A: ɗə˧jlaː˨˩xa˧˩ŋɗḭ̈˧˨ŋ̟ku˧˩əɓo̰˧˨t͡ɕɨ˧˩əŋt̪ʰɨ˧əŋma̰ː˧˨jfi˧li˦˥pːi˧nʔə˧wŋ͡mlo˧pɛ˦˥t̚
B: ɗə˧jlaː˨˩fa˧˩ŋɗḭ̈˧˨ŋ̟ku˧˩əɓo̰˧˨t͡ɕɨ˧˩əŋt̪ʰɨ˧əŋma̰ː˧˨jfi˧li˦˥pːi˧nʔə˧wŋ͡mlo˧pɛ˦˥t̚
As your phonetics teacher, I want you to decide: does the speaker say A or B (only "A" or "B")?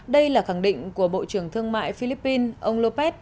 A